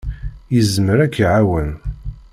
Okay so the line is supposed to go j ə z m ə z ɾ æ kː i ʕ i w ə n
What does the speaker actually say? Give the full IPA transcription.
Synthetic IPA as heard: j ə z m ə ɾ æ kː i ʕ a w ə n